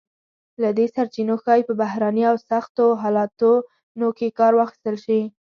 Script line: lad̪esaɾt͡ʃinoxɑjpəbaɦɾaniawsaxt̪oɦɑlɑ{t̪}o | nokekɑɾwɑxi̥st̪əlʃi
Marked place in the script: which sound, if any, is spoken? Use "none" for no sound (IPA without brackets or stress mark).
t̪